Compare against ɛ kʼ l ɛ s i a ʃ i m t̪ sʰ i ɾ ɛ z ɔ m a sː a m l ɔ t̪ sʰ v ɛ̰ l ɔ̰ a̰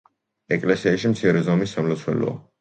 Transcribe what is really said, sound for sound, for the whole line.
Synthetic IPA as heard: ɛ kʼ l ɛ s i a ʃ i m t̪ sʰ i ɾ ɛ z ɔ m i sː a m l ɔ t̪ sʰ w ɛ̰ l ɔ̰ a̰